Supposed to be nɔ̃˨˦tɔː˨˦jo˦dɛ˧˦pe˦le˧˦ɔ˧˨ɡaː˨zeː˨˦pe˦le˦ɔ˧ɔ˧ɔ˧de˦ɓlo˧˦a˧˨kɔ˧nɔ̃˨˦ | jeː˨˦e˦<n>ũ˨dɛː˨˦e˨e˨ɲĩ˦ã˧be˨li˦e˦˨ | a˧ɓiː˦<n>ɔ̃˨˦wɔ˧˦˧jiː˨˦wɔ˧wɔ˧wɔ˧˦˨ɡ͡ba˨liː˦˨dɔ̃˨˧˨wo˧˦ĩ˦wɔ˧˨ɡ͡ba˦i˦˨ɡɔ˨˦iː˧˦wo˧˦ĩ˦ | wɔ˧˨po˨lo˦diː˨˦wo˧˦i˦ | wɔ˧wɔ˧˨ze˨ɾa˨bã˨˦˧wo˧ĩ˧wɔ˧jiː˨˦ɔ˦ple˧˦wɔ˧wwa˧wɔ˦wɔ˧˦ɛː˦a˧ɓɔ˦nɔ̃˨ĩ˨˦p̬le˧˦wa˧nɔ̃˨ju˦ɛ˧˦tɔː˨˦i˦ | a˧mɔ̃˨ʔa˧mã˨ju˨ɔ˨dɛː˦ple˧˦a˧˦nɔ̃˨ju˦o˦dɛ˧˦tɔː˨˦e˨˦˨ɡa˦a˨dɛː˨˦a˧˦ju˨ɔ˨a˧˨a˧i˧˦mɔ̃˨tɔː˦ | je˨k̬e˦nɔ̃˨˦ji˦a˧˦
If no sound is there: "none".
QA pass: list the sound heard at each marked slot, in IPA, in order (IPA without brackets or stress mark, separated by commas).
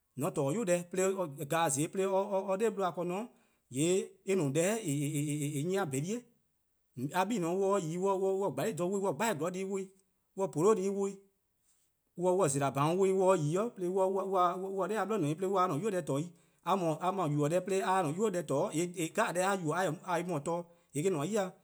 n, n